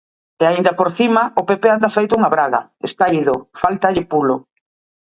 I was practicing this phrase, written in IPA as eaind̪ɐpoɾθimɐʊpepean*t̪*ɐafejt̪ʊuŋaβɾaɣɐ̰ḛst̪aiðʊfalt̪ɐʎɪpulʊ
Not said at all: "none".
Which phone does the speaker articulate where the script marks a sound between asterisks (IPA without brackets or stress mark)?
d̪